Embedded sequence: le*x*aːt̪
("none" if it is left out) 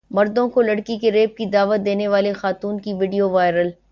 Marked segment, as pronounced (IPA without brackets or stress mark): x